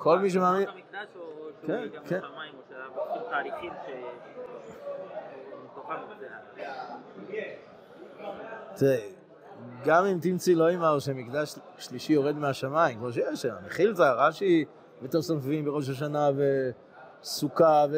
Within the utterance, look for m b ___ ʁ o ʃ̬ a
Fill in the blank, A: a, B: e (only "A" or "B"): B